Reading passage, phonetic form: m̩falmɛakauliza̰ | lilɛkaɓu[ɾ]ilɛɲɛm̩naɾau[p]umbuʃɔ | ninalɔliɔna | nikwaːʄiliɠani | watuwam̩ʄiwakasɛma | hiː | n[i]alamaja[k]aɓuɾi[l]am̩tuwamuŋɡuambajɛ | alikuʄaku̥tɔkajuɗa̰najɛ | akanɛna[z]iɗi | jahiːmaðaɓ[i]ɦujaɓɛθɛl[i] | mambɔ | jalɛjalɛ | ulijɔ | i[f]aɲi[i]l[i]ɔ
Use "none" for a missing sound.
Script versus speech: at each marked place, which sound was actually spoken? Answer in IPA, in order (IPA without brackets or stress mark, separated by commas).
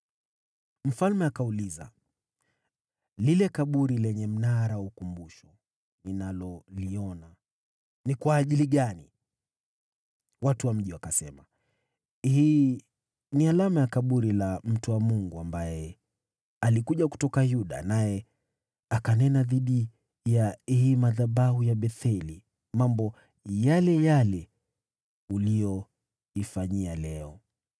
ɾ, k, i, k, l, ð, a, i, f, a, ɛ